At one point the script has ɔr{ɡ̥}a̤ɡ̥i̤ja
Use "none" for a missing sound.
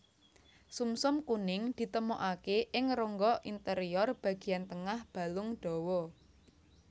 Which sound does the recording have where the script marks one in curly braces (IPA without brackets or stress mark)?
b̥